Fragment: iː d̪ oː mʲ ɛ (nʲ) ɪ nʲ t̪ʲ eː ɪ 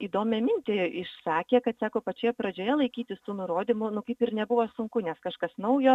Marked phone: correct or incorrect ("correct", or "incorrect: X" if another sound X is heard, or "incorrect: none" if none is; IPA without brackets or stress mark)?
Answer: incorrect: mʲ